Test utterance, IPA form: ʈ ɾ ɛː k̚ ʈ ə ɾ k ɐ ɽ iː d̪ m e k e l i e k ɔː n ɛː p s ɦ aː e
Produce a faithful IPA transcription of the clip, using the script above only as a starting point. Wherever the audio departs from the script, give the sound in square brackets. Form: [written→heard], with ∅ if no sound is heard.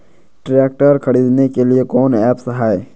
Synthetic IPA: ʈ ɾ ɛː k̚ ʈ ə ɾ [k→kʰ] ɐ ɽ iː d̪ [m→n] e k e l i e k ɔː n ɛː p s ɦ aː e